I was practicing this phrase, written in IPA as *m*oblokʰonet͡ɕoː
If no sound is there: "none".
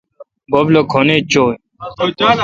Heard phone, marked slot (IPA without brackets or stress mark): b